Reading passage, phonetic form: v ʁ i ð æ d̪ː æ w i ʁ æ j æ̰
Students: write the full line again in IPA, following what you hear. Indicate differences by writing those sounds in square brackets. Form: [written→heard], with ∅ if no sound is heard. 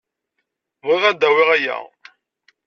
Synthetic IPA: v ʁ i [ð→ʁ] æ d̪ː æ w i ʁ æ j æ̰